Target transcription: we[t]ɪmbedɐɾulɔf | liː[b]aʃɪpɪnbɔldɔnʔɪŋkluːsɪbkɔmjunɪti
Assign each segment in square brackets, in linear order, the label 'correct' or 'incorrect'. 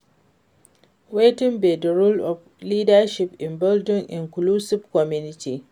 correct, incorrect

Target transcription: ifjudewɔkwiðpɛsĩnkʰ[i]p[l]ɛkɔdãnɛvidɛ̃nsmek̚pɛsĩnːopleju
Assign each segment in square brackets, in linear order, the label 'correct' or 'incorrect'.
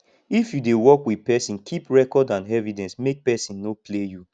correct, incorrect

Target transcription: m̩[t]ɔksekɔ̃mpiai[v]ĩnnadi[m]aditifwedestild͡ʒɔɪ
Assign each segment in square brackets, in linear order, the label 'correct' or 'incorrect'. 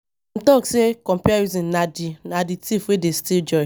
correct, incorrect, incorrect

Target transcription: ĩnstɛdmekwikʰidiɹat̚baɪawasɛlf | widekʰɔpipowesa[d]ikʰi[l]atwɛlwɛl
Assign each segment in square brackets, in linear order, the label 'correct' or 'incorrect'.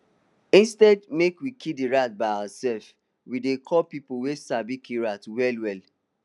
incorrect, incorrect

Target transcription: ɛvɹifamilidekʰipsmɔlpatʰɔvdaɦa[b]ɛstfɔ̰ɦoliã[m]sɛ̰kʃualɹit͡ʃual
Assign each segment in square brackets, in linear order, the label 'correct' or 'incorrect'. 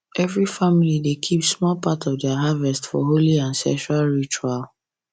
incorrect, incorrect

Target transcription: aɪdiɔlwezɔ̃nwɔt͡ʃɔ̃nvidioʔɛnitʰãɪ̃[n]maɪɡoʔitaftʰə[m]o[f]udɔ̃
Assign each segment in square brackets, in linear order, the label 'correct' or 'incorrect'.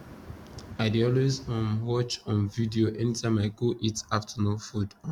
incorrect, incorrect, correct

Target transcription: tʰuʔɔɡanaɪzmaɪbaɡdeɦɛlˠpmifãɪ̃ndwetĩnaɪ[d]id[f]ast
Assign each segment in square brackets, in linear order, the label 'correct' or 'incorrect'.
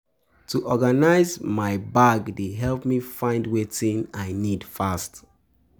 incorrect, correct

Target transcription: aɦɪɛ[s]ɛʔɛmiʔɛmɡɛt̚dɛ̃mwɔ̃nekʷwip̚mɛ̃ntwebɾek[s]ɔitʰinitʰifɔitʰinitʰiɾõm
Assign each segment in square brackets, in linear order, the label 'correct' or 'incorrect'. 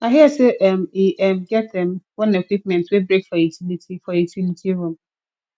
correct, incorrect

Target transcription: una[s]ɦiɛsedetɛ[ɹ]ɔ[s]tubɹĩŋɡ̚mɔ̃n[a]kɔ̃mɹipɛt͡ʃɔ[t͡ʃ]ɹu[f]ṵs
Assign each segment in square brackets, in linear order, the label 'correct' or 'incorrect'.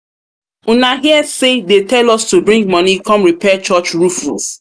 incorrect, incorrect, correct, incorrect, correct, correct

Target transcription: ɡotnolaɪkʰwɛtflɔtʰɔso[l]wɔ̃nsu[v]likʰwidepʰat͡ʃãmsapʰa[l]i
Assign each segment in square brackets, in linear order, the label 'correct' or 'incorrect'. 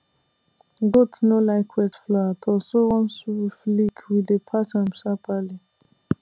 incorrect, incorrect, correct

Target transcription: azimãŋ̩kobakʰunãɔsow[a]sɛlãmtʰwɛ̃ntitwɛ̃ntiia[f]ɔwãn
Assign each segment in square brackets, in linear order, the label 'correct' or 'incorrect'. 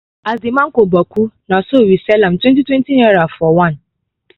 incorrect, correct

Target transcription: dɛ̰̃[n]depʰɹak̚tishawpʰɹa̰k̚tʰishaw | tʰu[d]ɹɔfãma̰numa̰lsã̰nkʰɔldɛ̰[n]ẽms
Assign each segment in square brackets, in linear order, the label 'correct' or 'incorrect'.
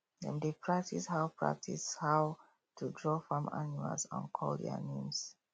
correct, correct, correct

